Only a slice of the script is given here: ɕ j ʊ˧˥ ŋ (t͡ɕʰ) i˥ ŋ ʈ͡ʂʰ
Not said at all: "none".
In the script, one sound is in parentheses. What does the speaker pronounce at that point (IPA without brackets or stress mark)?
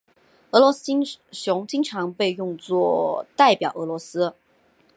t͡ɕ